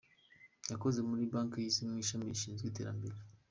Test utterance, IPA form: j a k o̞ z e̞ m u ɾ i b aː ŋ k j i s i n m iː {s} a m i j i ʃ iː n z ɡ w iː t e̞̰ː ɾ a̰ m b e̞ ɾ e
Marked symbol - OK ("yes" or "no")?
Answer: no